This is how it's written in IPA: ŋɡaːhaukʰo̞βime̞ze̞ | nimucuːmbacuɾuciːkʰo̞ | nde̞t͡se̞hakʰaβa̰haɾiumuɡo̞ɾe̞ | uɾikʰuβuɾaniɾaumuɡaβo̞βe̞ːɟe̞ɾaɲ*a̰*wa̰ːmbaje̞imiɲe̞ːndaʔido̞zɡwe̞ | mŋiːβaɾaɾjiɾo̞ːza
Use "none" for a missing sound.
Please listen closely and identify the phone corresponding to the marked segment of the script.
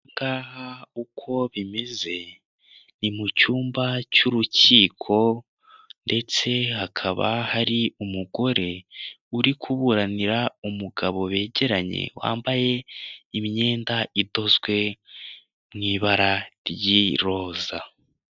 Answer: ḛ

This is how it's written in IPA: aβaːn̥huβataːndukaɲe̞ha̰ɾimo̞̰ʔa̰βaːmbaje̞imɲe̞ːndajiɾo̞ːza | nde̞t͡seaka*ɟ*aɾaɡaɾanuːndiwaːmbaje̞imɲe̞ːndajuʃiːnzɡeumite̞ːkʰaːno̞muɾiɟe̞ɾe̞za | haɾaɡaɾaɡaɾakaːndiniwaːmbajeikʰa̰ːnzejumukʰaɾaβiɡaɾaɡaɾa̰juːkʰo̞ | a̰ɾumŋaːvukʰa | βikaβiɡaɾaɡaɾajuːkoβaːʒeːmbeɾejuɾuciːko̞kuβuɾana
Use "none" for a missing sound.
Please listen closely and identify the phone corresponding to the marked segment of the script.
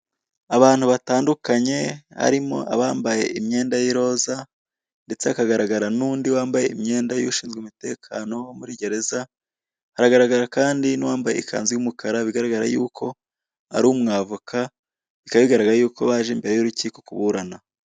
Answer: ɡ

